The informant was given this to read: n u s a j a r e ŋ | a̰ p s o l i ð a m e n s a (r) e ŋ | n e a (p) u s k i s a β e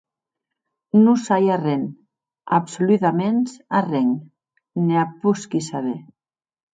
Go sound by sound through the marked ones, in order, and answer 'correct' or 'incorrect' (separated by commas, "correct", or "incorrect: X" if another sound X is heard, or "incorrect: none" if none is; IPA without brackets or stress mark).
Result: correct, correct